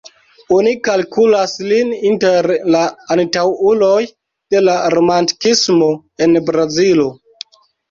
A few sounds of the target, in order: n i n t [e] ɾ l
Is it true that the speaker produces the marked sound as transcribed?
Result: yes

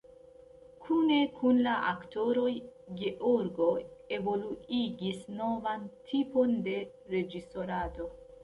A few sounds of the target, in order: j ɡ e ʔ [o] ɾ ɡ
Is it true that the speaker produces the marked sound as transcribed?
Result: yes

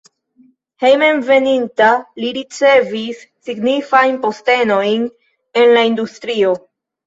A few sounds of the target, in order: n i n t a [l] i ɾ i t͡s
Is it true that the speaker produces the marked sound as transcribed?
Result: yes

